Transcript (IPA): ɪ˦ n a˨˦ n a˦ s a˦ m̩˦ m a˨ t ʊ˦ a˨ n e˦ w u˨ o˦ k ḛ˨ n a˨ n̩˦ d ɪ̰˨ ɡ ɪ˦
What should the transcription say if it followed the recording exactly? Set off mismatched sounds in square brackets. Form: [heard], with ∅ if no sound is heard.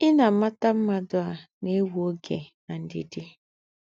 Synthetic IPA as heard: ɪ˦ n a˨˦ [m] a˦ [t] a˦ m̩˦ m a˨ [d] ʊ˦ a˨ n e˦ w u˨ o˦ [ɡ] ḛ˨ n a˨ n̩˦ d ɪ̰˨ [d] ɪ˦